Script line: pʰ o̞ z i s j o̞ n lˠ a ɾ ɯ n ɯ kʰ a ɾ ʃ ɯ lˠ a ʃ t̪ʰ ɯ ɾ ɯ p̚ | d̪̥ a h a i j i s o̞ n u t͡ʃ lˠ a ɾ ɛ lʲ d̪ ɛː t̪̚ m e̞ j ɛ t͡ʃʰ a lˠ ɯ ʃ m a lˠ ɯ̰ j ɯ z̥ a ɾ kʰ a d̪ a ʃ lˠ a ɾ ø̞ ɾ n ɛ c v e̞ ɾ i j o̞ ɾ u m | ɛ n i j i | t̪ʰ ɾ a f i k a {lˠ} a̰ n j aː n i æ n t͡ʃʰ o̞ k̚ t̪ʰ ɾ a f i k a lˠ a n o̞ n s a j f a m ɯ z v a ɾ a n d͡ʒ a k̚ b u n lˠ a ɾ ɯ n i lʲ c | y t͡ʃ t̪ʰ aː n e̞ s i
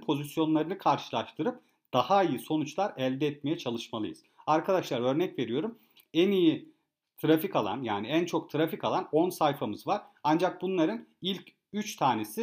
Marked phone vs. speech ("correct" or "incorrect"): correct